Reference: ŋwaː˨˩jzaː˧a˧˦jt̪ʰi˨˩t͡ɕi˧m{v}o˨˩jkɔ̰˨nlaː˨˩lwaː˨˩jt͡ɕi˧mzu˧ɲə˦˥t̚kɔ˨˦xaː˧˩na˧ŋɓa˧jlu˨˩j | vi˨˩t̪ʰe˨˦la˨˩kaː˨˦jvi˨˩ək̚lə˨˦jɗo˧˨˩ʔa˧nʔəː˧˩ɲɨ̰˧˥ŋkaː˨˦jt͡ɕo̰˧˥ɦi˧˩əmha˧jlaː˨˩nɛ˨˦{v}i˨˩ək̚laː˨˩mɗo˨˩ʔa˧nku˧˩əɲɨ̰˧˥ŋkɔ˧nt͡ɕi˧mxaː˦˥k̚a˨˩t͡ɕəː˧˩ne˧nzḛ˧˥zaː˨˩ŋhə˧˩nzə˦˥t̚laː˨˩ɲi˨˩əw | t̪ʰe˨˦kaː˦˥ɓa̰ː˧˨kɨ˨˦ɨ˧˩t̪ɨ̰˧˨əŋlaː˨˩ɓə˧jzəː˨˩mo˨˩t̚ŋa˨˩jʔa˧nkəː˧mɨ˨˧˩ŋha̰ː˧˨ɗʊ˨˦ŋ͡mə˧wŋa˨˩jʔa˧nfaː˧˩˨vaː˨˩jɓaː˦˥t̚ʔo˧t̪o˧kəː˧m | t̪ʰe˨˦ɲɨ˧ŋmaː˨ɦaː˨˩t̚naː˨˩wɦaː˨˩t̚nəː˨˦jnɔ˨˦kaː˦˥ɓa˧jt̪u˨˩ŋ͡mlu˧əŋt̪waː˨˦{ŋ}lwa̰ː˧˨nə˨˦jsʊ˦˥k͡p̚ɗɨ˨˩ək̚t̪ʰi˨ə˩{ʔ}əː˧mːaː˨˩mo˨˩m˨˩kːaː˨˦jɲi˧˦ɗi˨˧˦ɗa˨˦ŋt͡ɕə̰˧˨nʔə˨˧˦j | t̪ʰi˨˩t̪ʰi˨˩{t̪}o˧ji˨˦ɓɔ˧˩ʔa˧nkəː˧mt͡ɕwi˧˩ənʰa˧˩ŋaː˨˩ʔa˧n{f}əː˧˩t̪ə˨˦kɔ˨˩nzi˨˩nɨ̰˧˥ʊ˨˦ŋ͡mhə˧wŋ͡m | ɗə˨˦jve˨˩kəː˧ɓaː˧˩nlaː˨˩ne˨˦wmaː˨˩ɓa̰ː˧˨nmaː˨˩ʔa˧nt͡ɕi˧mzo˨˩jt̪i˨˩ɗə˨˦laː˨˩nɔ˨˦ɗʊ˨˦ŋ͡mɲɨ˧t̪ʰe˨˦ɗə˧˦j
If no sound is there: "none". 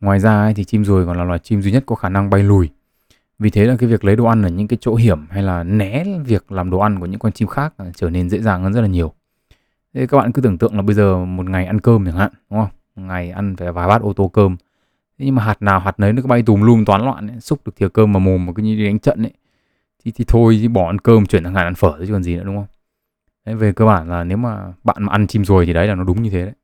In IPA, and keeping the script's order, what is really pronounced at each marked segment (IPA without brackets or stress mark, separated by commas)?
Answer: z, v, n, k, t̪ʰ, f